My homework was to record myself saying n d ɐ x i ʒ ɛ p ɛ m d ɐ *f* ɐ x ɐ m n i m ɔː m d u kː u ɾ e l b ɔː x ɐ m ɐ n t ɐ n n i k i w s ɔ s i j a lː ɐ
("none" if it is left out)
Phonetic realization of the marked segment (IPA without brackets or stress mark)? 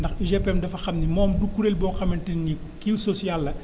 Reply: f